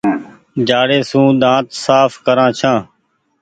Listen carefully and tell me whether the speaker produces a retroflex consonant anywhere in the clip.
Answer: yes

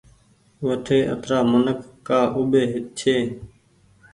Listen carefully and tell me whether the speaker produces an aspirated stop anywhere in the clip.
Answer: yes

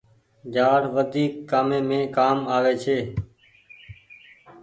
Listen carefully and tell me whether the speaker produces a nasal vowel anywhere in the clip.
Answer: yes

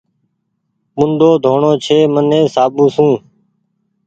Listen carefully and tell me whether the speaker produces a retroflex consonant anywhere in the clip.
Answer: yes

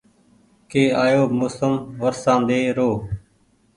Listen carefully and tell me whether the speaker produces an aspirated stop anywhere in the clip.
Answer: no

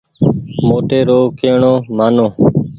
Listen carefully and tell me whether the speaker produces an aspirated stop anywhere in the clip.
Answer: no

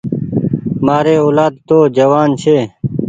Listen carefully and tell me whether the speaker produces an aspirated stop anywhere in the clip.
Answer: yes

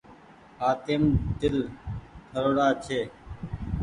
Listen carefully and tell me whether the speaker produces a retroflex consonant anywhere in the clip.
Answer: yes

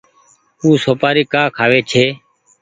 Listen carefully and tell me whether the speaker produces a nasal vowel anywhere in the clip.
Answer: no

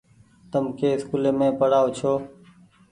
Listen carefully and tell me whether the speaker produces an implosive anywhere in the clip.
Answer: no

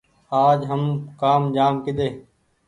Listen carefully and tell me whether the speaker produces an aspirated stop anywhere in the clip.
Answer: no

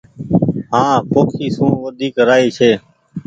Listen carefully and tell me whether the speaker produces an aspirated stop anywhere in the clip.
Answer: yes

